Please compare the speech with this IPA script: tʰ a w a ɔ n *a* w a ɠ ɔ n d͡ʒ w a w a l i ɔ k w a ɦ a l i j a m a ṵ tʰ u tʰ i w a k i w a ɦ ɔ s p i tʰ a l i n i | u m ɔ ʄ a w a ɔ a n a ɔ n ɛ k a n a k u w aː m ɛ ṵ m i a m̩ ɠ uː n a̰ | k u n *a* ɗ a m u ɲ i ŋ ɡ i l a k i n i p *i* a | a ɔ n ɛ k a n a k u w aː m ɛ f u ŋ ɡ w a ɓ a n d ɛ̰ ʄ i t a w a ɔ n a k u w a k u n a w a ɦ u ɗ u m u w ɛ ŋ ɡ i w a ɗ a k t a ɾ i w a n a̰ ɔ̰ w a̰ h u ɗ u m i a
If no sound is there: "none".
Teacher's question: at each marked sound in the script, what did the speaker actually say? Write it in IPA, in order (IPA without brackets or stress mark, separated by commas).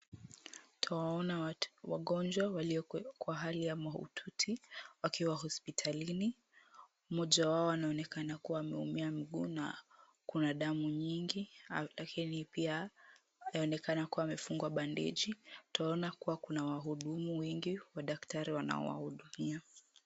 a, a, i